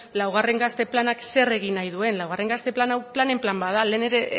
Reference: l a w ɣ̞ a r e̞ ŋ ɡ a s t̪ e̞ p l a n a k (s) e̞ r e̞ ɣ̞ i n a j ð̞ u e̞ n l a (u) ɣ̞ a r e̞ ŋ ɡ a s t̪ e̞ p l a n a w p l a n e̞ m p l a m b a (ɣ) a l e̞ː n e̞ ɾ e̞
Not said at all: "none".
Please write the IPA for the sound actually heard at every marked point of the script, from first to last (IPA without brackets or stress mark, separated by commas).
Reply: s, w, ð